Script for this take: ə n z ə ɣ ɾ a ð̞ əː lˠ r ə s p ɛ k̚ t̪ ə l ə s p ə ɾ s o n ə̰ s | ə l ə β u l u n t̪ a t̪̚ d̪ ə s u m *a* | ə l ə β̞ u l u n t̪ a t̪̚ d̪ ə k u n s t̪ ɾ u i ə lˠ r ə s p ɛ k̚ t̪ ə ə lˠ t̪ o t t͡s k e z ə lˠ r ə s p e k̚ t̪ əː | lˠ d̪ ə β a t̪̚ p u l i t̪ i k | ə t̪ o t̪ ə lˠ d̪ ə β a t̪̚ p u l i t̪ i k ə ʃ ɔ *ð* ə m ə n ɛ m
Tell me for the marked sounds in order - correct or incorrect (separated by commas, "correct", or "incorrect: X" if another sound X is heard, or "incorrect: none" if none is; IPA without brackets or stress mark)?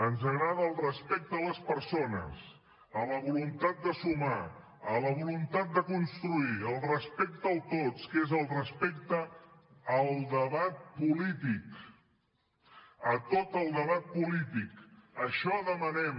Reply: correct, correct